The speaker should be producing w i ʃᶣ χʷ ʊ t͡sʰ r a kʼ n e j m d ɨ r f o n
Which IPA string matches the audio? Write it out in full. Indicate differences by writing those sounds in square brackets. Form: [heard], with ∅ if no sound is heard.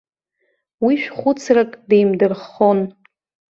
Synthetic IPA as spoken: w i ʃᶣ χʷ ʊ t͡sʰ r a kʼ [d] e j m d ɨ r [χ] o n